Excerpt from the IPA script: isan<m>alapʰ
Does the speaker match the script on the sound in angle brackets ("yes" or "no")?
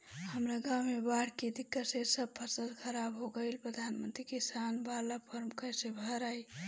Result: no